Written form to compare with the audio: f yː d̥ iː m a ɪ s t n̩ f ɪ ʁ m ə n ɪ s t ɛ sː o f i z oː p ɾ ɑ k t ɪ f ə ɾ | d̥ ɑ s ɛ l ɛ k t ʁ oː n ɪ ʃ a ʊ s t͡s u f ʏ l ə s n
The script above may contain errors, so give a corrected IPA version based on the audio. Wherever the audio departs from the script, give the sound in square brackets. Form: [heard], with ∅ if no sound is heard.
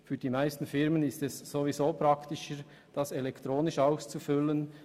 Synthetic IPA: f yː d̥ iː m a ɪ s t n̩ f ɪ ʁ m ə n ɪ s t ɛ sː o [v] i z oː p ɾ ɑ k t ɪ [ʃ] ə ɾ | d̥ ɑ s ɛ l ɛ k t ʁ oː n ɪ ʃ a ʊ s t͡s u f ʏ l ə [∅] n

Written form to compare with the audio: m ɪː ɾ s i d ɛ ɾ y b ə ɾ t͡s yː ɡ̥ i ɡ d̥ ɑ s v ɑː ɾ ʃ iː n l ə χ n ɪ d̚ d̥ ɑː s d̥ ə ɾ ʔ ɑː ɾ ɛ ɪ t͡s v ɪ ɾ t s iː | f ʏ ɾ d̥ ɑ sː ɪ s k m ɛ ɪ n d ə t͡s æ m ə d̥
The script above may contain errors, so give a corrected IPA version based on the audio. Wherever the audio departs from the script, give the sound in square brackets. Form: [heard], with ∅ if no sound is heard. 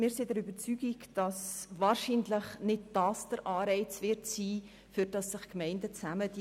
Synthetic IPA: m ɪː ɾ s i d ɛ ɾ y b ə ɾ t͡s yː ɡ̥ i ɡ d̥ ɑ s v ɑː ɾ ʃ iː n l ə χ n ɪ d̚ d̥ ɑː s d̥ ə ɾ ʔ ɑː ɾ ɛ ɪ t͡s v ɪ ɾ t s iː | f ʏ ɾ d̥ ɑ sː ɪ [χ] k m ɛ ɪ n d ə t͡s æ m ə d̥

